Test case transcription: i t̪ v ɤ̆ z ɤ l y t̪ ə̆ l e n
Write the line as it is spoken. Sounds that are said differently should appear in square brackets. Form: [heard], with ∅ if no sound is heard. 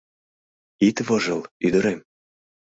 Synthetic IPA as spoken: i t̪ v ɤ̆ [ʒ] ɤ l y [d̪] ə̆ [ɾ] e [m]